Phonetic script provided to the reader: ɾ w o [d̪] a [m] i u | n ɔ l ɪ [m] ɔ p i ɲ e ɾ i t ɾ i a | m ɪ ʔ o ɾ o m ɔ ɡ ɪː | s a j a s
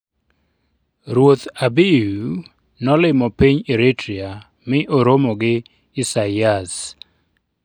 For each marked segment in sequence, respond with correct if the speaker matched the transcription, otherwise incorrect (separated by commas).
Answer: incorrect, incorrect, correct